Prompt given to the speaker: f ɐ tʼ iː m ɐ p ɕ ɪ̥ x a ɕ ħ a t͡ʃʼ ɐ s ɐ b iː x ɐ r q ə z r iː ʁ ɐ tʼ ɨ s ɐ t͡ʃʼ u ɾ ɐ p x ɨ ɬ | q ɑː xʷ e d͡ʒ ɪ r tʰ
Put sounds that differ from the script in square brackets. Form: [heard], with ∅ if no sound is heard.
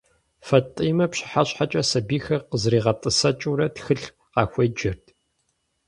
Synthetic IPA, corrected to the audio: f ɐ tʼ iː m ɐ p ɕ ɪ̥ [ħ] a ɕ ħ a t͡ʃʼ ɐ s ɐ b iː x ɐ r q ə z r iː ʁ ɐ tʼ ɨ s ɐ t͡ʃʼ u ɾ ɐ [t] x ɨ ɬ | q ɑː xʷ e d͡ʒ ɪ r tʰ